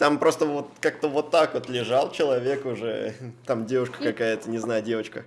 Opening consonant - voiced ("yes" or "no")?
no